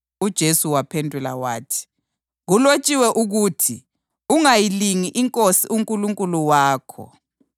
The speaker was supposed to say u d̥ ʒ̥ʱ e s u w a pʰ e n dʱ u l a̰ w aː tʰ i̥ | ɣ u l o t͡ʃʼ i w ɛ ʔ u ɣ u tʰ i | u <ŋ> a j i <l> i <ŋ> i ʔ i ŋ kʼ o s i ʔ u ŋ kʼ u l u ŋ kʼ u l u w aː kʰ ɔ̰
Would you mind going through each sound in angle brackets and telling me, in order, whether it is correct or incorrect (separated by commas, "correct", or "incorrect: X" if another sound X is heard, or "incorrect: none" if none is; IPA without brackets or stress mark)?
correct, correct, correct